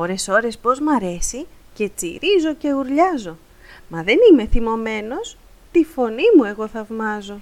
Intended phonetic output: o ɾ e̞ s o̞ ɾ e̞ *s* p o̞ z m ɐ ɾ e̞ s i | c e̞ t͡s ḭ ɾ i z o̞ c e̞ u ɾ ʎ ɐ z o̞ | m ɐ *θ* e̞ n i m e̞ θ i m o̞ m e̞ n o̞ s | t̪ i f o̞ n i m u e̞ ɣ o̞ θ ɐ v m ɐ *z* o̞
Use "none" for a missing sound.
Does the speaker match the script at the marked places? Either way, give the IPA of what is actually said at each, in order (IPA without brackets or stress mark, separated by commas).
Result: s, ð, z